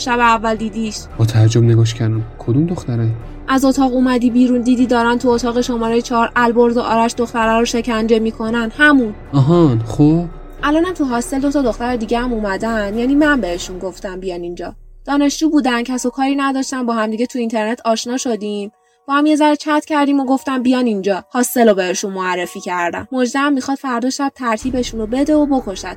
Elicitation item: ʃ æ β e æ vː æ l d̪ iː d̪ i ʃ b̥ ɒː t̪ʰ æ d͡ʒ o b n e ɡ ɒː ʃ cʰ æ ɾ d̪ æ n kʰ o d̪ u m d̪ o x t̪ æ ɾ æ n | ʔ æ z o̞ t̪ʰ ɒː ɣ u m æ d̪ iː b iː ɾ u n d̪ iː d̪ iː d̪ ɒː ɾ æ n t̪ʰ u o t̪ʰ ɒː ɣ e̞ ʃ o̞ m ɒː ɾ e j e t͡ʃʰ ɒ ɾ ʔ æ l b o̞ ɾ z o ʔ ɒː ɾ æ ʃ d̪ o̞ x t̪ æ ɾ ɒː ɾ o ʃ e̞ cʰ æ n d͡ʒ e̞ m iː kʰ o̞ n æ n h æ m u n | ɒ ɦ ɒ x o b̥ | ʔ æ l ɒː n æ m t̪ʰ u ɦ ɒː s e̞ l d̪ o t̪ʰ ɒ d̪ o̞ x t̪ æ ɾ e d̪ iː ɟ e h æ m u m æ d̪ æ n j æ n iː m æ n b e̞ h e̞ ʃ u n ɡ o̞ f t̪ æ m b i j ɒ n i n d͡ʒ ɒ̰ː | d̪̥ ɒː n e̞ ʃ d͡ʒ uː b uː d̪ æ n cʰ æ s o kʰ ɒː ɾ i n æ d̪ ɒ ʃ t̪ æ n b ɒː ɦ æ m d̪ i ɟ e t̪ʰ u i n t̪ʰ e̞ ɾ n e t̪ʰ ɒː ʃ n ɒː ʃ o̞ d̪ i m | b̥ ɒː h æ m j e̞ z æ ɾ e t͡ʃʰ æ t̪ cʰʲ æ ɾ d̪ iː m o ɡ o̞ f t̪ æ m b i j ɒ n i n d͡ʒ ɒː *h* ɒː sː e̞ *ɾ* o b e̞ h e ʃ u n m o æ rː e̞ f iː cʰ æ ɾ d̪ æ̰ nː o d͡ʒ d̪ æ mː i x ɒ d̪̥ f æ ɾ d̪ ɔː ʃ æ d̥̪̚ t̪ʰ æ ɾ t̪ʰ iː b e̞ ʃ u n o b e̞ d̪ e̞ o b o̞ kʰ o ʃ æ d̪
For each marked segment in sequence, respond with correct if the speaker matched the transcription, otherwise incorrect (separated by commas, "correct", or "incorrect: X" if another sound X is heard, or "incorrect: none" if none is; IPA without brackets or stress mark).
correct, incorrect: l